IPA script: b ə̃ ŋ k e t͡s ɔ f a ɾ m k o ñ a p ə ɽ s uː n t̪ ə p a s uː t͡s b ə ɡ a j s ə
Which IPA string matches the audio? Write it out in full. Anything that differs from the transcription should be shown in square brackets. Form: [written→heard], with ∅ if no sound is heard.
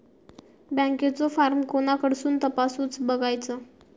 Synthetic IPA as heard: b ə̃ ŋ k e t͡s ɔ f a ɾ m k o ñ a [p→k] ə ɽ s uː n t̪ ə p a s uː t͡s b ə ɡ a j [s→t͡s] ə

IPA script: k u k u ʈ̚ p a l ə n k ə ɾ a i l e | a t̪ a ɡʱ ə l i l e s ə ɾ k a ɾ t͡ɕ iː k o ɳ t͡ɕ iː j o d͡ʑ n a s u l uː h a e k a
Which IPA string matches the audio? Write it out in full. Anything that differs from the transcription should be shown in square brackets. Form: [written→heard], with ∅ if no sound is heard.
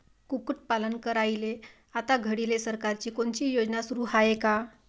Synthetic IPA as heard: k u k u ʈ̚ p a l ə n k ə ɾ a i l e | a t̪ a ɡʱ ə [l→ɽ] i l e s ə ɾ k a ɾ t͡ɕ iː k o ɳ t͡ɕ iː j o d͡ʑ n a s u [l→ɾ] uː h a e k a

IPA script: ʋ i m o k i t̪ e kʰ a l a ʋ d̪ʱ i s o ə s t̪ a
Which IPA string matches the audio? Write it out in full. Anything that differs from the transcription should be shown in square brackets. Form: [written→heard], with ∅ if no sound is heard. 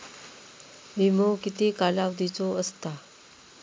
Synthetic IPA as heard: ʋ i m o k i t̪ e [kʰ→k] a l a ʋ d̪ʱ i [s→t͡s] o ə s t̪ a

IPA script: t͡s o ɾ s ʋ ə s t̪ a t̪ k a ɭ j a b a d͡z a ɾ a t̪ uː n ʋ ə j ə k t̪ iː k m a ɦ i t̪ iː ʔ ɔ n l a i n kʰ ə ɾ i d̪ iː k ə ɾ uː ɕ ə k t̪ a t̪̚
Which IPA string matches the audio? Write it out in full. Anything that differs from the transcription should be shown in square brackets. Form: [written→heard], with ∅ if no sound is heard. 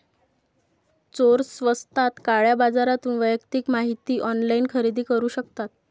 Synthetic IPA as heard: t͡s o ɾ s ʋ ə s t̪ a t̪ k a ɭ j a b a d͡z a ɾ a t̪ uː n ʋ ə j ə k t̪ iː k m a ɦ i t̪ iː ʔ ɔ n l a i n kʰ ə ɾ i d̪ iː k ə ɾ uː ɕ ə k t̪ a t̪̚

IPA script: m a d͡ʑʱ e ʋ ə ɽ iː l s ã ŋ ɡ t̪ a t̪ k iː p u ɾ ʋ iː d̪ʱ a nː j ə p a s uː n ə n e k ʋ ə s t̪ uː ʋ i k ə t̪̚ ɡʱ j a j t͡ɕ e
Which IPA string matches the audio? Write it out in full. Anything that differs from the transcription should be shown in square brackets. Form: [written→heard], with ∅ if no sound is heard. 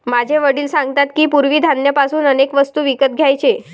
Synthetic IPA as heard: m a d͡ʑʱ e ʋ ə ɽ iː l s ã ŋ ɡ t̪ a t̪ k iː p u ɾ ʋ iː d̪ʱ a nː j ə p a s uː n ə n e k ʋ ə s t̪ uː ʋ i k ə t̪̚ ɡʱ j a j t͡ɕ e

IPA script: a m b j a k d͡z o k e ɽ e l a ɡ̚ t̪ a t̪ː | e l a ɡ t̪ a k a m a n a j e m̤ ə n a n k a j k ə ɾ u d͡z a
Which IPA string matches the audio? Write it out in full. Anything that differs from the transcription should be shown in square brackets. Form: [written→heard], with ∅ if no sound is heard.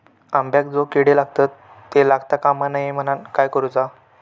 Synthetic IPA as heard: a m b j a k d͡z o k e ɽ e l a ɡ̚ t̪ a t̪ː | e l a ɡ t̪ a k a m a n a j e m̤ ə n a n k a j k ə ɾ u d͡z a

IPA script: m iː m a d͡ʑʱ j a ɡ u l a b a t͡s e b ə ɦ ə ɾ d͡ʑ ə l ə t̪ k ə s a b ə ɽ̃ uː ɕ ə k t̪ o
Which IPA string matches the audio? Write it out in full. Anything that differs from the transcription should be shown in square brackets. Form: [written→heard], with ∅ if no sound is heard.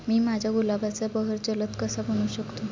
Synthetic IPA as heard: m iː m a d͡ʑʱ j a ɡ u l a b a t͡s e b ə ɦ ə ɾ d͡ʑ ə l ə t̪ k ə s a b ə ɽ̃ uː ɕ ə k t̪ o

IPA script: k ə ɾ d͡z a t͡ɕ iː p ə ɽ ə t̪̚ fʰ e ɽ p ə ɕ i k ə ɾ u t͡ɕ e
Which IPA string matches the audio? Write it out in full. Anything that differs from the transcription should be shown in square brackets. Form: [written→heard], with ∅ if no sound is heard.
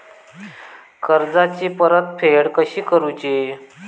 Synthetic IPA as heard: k ə ɾ d͡z a t͡ɕ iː p ə [ɽ→ɾ] ə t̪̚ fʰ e ɽ [p→k] ə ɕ [i→iː] k ə ɾ u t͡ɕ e

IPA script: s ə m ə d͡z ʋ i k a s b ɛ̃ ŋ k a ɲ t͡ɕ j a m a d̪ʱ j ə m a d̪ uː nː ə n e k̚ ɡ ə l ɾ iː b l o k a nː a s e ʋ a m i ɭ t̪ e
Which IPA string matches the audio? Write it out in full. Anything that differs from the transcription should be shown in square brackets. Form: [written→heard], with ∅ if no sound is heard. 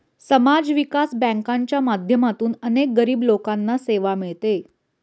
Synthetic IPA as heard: s ə m [ə→a] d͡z ʋ i k a s b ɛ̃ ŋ k a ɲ t͡ɕ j a m a d̪ʱ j ə m a [d̪→t̪] uː [nː→n] ə n e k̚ ɡ ə [l→∅] ɾ iː b l o k a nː a s e ʋ a m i ɭ t̪ e

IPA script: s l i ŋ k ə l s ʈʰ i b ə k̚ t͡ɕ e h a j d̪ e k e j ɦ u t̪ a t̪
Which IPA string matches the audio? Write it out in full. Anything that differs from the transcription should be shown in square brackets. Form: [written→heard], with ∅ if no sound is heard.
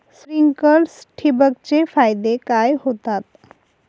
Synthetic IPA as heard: s [l→ɾ] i ŋ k ə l s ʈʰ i b ə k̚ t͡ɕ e [h→f] a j d̪ e k [e→a] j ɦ [u→o] t̪ a t̪

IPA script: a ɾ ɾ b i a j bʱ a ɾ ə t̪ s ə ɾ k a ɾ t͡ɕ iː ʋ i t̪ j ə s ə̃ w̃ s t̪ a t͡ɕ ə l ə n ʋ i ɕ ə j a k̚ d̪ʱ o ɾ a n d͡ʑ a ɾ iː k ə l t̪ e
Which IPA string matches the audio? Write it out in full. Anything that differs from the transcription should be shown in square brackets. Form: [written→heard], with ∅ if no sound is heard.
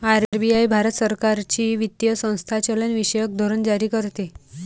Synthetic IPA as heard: a ɾ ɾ b i a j bʱ a ɾ ə t̪ s ə ɾ k a ɾ t͡ɕ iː ʋ i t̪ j ə s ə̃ w̃ s [t̪→t̪ʰ] a t͡ɕ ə l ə n ʋ i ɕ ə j [a→ə] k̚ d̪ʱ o ɾ [a→ə] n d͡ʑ a ɾ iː k ə [l→ɾ] t̪ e

